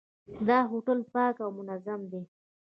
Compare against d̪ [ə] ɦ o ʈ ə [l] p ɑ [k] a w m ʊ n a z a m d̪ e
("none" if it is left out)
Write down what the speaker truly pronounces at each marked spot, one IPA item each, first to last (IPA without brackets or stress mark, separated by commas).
ɑ, l, k